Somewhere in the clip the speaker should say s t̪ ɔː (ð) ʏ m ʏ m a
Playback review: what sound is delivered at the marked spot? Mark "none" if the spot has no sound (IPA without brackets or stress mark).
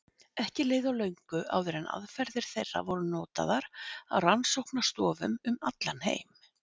v